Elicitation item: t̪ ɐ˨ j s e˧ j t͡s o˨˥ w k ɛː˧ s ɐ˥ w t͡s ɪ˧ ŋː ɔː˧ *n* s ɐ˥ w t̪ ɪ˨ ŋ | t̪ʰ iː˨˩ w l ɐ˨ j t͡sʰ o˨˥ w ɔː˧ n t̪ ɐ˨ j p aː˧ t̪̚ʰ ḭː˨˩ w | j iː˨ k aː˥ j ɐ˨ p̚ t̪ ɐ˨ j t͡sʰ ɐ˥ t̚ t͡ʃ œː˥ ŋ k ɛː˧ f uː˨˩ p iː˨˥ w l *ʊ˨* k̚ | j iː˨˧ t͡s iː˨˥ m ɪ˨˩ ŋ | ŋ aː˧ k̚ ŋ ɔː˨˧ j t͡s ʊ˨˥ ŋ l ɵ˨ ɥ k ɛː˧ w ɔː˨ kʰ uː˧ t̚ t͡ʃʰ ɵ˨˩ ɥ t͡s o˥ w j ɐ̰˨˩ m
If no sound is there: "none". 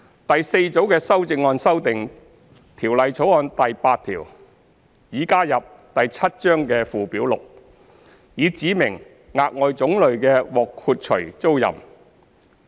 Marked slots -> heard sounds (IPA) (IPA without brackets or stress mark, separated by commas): n, ʊ˨